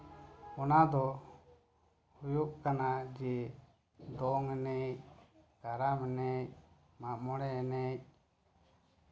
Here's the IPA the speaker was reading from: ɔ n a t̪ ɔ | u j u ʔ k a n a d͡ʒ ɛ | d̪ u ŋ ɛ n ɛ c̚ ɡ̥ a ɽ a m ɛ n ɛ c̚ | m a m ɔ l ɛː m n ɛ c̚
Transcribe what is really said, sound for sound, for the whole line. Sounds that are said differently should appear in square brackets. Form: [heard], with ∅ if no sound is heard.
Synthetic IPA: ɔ n a [d̪] ɔ | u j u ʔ k a n a d͡ʒ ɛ | d̪ [ɔ] ŋ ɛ n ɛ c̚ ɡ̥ a [ɾ] a m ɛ n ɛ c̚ | m a m ɔ [ɽ] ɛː [∅] n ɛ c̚